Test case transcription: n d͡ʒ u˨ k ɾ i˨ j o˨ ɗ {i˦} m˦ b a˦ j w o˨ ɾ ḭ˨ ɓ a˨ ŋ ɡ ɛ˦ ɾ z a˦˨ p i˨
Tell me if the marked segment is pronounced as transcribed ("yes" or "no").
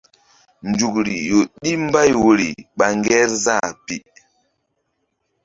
yes